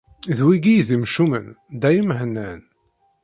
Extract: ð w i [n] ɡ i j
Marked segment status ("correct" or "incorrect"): incorrect